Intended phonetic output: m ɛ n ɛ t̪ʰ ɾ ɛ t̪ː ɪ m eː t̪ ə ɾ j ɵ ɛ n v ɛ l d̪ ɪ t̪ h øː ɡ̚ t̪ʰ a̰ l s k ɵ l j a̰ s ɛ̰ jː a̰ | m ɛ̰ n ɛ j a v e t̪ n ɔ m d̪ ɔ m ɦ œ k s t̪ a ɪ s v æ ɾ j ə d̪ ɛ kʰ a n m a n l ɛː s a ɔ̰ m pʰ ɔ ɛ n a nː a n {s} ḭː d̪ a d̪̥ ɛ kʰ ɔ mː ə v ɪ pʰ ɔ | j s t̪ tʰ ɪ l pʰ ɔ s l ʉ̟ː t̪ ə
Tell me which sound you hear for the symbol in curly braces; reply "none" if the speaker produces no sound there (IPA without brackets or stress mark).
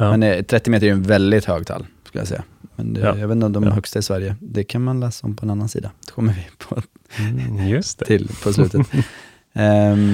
s